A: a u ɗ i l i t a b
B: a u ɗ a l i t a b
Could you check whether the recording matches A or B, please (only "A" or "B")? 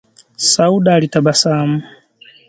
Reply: B